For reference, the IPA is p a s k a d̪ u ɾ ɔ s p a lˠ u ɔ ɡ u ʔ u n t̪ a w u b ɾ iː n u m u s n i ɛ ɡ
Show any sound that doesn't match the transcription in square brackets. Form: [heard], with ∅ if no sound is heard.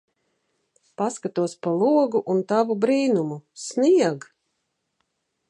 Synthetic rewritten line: p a s k a [t̪] u [∅] ɔ s p a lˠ u ɔ ɡ u ʔ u n t̪ a [v] u b ɾ iː n u m u s n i ɛ ɡ